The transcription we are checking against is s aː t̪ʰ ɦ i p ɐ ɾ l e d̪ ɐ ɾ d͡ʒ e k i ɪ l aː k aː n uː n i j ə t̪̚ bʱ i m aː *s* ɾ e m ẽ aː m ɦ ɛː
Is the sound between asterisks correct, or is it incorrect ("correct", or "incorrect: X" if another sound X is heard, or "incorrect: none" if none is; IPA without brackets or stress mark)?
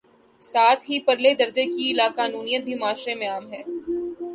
incorrect: ʃ